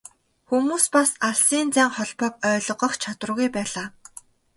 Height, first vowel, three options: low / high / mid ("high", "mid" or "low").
high